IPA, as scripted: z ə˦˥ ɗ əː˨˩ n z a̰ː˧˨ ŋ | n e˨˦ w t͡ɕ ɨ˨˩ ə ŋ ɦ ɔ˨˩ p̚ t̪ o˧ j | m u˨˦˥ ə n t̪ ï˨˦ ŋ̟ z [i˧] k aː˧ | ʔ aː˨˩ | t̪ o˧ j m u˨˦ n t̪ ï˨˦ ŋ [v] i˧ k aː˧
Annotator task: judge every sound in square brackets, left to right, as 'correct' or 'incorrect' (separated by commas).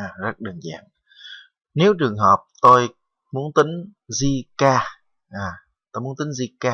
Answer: correct, incorrect